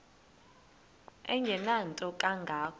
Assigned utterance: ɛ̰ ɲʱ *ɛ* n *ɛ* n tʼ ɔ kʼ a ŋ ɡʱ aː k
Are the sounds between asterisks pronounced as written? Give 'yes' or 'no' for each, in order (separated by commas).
yes, no